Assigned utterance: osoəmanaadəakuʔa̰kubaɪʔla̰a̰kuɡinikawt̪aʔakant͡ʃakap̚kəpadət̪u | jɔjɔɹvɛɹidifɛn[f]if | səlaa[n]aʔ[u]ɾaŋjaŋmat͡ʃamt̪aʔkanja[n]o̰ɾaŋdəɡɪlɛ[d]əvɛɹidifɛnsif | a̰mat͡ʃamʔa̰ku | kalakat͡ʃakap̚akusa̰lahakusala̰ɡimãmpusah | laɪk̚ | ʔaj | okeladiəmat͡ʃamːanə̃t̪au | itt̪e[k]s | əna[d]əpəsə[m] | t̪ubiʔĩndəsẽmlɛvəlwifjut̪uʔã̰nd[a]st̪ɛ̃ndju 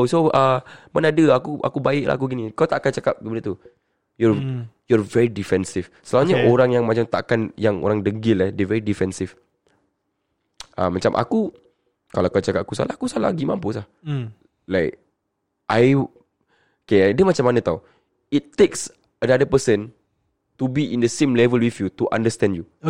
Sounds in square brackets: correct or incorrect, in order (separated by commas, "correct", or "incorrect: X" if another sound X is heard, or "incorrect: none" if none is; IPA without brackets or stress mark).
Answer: incorrect: s, incorrect: ɲ, incorrect: o, incorrect: ŋ, correct, correct, correct, incorrect: n, incorrect: ə